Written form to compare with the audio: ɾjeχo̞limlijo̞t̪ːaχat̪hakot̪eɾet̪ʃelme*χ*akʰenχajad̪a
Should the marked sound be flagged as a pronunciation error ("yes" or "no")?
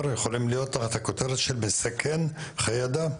yes